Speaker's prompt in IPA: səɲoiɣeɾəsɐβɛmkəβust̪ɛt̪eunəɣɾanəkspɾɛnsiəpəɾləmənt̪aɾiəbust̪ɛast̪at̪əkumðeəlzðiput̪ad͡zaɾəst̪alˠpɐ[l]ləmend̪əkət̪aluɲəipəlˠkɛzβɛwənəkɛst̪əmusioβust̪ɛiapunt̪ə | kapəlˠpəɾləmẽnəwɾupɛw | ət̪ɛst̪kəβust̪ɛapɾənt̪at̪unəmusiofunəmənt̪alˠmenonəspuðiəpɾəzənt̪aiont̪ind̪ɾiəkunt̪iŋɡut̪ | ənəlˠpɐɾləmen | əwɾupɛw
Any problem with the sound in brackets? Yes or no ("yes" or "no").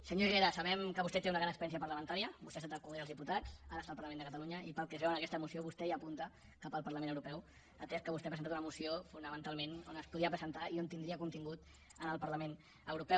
yes